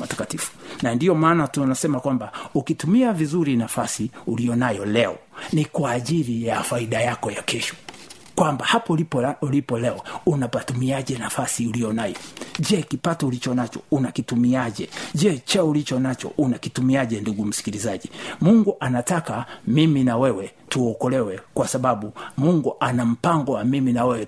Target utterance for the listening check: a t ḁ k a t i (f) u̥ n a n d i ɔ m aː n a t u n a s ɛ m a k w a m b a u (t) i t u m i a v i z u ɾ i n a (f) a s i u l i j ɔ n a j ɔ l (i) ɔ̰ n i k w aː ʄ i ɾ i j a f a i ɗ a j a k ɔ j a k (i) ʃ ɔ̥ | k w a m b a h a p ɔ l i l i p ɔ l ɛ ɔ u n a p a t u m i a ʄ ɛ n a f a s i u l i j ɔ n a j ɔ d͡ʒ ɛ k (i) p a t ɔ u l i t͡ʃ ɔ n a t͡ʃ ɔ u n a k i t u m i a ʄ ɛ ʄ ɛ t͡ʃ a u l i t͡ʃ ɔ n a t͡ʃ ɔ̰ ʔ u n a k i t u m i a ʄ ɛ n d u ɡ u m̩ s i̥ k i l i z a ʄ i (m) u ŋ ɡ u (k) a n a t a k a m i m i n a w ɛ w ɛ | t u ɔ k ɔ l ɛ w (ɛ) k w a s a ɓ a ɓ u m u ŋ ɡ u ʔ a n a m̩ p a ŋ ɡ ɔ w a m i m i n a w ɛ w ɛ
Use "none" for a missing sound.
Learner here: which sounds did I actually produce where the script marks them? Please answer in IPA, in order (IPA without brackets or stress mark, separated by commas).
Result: f, k, f, ɛ, ɛ, i, m, ʔ, ɛ